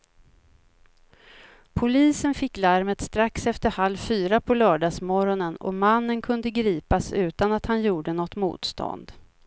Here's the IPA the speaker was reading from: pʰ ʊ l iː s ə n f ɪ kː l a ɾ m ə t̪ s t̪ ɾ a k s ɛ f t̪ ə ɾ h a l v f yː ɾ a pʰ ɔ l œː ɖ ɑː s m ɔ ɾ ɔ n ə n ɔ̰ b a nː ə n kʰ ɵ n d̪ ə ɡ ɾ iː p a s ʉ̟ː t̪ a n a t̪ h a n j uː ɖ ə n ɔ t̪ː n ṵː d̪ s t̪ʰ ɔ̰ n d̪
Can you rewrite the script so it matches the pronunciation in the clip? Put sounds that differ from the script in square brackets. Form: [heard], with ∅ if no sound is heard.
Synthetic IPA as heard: pʰ ʊ l iː s ə n f ɪ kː l a ɾ m ə t̪ s t̪ ɾ a k s ɛ f t̪ ə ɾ h a l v f yː ɾ a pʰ ɔ l œː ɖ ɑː s m ɔ ɾ ɔ n ə n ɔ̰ [m] a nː ə n kʰ ɵ n d̪ ə ɡ ɾ iː p a s ʉ̟ː t̪ a n a t̪ h a n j uː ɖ ə n ɔ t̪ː [m] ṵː [t̪] s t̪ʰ ɔ̰ n d̪